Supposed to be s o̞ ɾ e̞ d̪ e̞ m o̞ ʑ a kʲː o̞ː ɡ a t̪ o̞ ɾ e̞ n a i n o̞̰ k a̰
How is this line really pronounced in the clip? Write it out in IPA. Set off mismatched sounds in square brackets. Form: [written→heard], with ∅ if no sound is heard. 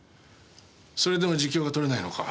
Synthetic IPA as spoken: s o̞ ɾ e̞ d̪ e̞ m o̞ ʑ [a→i] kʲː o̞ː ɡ a t̪ o̞ ɾ e̞ n a i n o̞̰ k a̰